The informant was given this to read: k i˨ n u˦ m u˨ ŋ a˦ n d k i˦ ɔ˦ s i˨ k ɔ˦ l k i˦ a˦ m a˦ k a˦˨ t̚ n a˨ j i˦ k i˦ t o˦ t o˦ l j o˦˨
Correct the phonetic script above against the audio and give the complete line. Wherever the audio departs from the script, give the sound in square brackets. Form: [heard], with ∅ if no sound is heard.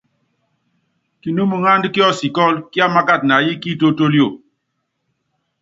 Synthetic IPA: k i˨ n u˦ m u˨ ŋ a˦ n d k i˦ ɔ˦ s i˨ k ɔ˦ l k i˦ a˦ m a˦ k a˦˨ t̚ n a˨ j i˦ k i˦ t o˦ t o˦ l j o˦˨